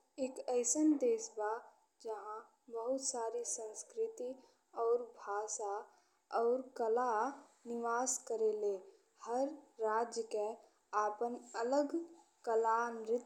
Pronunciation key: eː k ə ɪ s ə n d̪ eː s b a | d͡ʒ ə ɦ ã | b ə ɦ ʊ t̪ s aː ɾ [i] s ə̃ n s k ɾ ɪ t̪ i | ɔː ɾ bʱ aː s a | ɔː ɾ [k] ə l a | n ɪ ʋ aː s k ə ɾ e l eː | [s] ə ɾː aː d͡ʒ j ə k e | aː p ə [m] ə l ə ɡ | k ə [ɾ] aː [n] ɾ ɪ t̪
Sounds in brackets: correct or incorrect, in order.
correct, correct, incorrect: h, incorrect: n, incorrect: l, correct

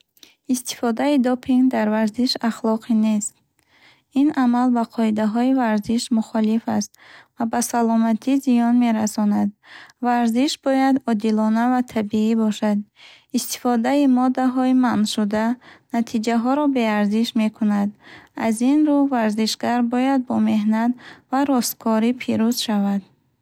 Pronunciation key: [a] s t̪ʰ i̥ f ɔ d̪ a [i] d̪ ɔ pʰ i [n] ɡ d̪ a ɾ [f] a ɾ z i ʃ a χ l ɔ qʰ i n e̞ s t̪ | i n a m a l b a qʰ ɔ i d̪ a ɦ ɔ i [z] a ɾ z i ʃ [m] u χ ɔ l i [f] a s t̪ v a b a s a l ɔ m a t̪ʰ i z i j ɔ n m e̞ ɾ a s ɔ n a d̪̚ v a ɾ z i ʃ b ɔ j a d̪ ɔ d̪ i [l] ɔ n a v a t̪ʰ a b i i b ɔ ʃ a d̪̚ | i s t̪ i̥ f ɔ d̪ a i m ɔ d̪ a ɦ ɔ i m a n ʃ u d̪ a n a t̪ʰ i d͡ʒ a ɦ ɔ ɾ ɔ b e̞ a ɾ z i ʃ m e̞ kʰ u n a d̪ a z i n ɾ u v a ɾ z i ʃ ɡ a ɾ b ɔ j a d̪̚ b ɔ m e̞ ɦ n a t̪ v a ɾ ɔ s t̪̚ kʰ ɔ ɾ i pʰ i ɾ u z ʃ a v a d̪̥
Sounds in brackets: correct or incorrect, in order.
incorrect: i, correct, incorrect: ŋ, incorrect: v, incorrect: v, correct, correct, correct

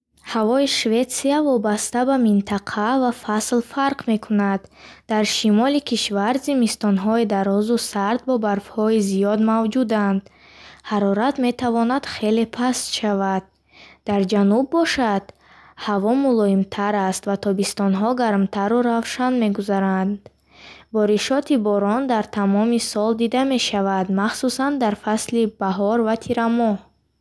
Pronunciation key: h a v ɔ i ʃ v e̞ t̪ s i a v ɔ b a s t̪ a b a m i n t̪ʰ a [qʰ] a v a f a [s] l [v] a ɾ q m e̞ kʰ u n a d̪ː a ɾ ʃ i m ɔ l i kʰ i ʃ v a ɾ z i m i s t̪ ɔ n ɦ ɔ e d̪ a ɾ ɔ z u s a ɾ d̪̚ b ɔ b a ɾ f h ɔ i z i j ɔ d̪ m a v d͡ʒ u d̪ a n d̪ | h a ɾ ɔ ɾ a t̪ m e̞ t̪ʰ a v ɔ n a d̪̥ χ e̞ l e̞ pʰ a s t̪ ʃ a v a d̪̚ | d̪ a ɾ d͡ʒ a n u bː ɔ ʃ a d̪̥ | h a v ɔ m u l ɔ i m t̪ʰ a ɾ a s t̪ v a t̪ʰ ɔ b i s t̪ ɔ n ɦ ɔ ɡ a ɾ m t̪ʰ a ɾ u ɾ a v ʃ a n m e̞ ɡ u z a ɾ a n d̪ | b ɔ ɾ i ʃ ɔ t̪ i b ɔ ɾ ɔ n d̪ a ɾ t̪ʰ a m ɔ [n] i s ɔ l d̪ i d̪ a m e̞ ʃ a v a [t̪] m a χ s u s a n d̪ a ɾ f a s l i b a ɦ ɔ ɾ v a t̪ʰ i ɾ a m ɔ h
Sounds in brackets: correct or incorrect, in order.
correct, correct, incorrect: f, incorrect: m, incorrect: d̪

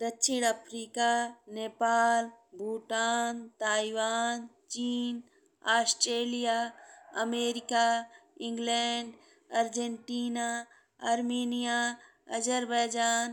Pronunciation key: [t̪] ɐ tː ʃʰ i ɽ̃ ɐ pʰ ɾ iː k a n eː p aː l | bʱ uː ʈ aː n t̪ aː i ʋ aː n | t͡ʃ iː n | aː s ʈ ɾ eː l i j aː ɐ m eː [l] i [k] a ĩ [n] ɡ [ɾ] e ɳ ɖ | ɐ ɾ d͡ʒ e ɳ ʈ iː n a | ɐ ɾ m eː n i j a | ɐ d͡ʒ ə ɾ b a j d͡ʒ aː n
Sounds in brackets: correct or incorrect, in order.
incorrect: d̪, incorrect: ɾ, correct, incorrect: ŋ, incorrect: l

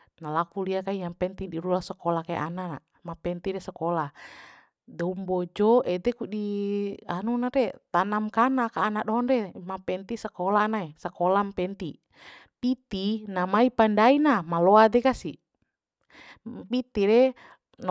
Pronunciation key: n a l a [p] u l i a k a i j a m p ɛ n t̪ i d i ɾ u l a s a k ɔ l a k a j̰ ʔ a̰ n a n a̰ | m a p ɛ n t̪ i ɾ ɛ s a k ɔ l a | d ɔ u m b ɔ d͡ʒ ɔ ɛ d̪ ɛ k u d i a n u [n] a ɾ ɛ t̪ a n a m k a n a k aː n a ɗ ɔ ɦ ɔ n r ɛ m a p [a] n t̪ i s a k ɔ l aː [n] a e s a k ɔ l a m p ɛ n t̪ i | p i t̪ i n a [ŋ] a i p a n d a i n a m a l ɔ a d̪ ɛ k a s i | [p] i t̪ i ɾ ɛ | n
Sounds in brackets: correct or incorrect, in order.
incorrect: k, correct, incorrect: ɛ, correct, incorrect: m, correct

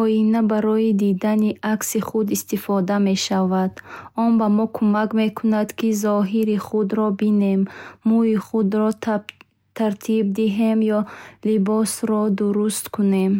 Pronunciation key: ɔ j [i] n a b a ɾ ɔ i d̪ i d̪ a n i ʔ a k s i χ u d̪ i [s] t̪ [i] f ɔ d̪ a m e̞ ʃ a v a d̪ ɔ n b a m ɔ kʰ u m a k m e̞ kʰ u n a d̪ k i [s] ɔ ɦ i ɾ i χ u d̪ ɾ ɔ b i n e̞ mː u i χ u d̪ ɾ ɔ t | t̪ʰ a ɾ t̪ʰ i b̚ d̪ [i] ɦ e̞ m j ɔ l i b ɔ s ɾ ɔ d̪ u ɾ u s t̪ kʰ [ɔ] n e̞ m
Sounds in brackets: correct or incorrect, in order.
correct, correct, correct, incorrect: z, correct, incorrect: u

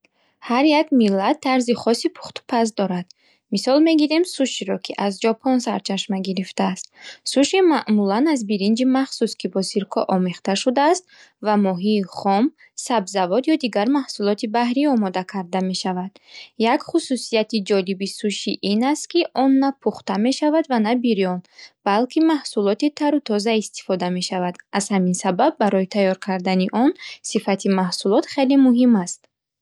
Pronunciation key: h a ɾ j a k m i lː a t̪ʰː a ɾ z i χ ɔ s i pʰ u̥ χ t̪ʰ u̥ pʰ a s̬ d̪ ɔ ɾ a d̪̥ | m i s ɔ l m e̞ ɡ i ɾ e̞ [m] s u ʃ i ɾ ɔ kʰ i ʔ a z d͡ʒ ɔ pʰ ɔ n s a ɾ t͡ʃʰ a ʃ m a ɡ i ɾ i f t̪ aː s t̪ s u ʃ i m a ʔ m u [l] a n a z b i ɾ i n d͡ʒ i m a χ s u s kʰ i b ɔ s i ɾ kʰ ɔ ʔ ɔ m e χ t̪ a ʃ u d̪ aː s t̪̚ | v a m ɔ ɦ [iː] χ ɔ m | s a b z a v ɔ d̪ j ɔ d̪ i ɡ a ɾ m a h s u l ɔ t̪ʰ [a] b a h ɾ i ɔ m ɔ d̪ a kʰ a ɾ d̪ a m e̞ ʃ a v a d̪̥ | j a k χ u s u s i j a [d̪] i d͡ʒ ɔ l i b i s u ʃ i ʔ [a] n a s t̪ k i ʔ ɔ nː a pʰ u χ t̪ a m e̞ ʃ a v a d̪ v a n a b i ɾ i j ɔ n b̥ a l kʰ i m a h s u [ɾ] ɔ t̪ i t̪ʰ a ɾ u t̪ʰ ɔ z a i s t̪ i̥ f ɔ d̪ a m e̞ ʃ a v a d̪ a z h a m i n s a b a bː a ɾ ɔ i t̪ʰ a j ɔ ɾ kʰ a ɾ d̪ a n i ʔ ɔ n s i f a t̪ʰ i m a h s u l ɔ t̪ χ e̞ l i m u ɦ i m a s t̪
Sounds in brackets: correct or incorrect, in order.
correct, correct, correct, incorrect: i, incorrect: t̪, incorrect: i, incorrect: l

